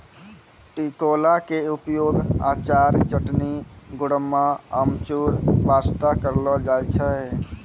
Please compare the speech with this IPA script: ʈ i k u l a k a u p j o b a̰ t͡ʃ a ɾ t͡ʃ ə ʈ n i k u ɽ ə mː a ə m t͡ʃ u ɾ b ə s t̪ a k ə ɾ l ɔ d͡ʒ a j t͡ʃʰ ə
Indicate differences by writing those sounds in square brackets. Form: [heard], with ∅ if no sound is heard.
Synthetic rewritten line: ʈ i k [o] l a k [e] u p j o [ɡ] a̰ t͡ʃ a ɾ t͡ʃ ə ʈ n i [ɡ] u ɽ ə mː a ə m t͡ʃ u ɾ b [a] s t̪ a k ə ɾ l ɔ d͡ʒ a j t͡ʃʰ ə